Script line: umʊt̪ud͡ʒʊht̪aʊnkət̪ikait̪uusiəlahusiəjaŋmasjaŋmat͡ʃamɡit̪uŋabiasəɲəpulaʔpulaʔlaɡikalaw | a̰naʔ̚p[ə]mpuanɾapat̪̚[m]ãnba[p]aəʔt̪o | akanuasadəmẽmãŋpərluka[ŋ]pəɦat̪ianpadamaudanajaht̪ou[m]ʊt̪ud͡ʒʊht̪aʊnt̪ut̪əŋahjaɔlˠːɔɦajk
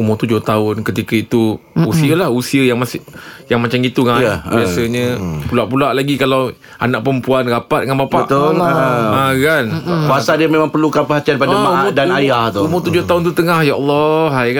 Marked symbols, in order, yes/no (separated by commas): yes, no, yes, no, yes